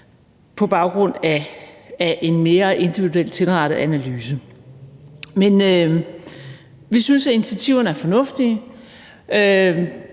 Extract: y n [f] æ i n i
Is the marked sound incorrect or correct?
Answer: incorrect